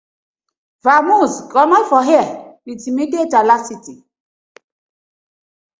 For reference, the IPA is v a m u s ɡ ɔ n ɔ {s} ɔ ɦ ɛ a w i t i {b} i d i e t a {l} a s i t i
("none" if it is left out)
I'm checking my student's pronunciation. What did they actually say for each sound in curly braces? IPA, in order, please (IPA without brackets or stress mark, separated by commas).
f, m, l